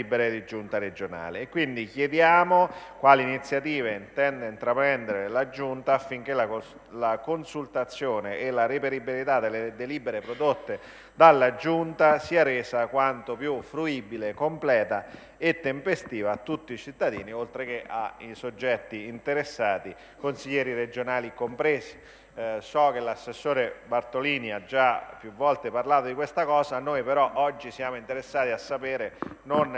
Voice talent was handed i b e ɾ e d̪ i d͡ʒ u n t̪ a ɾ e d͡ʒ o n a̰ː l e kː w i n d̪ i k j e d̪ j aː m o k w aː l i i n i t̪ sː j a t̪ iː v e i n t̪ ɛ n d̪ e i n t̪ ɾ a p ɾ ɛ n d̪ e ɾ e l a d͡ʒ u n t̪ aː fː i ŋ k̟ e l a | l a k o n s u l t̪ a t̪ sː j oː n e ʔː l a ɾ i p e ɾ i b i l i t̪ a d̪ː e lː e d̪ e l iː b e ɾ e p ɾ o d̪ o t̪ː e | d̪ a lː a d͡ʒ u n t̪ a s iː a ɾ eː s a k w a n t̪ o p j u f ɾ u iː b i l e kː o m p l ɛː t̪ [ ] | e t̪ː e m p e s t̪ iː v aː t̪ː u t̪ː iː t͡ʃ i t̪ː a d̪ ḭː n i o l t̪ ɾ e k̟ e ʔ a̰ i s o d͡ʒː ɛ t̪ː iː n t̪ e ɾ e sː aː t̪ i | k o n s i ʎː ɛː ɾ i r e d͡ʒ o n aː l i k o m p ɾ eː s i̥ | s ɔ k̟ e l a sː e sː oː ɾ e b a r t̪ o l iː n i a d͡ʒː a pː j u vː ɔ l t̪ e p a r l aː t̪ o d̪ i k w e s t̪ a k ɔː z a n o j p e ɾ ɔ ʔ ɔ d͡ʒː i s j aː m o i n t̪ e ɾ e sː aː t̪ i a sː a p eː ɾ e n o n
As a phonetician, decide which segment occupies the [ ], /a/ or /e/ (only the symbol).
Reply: a